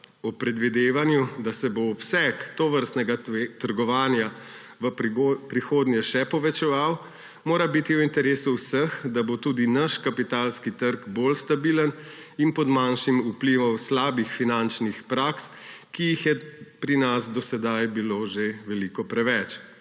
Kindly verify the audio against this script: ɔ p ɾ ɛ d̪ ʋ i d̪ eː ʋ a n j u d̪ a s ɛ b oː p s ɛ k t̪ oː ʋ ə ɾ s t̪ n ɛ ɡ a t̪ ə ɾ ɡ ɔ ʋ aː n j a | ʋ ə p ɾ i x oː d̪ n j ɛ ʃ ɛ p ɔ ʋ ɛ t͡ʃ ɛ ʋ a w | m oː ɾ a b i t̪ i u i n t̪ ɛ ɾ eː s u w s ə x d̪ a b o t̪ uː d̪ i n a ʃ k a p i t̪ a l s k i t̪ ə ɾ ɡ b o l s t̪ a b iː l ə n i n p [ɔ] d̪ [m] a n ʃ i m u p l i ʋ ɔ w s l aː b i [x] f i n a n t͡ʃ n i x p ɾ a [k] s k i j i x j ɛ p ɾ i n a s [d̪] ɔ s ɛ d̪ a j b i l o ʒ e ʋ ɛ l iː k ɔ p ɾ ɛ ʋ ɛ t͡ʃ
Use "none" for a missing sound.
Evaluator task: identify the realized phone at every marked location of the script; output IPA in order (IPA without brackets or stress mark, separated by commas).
ɔ, m, x, k, d̪